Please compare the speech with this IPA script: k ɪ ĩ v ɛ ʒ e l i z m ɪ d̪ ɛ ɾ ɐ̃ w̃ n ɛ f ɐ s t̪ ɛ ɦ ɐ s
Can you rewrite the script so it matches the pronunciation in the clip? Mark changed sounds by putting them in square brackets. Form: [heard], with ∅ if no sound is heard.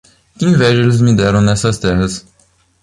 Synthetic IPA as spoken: k ɪ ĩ v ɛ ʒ e l [ɪ] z m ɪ d̪ ɛ ɾ ɐ̃ w̃ n ɛ [s] ɐ s t̪ ɛ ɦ ɐ s